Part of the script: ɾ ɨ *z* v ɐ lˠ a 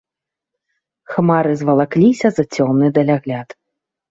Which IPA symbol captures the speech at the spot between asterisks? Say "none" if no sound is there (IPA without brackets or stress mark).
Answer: z